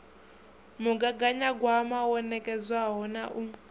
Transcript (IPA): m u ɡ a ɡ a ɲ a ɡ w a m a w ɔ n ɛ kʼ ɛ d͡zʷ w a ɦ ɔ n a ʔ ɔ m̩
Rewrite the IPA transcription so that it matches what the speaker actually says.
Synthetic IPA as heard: m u ɡ a ɡ a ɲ a ɡ w a m a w ɔ n ɛ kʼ ɛ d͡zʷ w a ɦ ɔ n a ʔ u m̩